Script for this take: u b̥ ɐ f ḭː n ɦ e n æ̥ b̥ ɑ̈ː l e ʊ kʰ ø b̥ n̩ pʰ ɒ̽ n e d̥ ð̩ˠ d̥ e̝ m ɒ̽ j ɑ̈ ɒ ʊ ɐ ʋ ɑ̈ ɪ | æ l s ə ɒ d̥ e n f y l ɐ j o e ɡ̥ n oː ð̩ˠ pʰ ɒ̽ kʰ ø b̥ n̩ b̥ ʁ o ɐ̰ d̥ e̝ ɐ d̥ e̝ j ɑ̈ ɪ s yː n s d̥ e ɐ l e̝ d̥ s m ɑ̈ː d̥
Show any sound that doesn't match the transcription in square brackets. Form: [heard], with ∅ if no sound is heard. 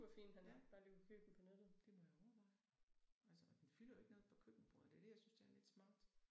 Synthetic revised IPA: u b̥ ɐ f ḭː n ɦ [æ] n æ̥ b̥ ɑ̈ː l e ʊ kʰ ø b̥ n̩ pʰ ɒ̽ n e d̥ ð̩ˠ d̥ e̝ m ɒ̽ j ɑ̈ ɒ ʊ ɐ ʋ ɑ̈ ɪ | æ l s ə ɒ d̥ e n f y l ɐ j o e ɡ̥ n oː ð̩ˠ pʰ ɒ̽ kʰ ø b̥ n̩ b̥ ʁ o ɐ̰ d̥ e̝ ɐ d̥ e̝ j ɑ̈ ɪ s [y] n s d̥ e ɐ l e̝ d̥ s m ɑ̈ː d̥